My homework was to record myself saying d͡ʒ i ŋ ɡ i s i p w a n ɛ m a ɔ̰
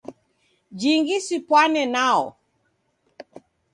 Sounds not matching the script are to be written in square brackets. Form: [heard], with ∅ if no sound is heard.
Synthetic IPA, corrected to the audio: d͡ʒ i ŋ ɡ i s i p w a n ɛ [n] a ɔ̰